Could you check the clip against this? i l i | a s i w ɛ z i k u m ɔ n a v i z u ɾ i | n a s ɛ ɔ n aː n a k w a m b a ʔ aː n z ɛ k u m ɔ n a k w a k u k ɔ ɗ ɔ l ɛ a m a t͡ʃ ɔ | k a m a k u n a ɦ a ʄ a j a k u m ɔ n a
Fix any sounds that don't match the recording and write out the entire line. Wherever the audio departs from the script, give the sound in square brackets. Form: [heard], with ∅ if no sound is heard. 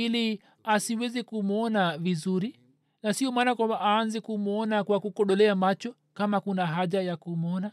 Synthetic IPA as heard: i l i | a s i w ɛ z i k u m ɔ n a v i z u ɾ i | n a s [i] ɔ [m] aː n a k w a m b a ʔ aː n z ɛ k u m ɔ n a k w a k u k ɔ ɗ ɔ l ɛ a m a t͡ʃ ɔ | k a m a k u n a ɦ a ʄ a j a k u m ɔ n a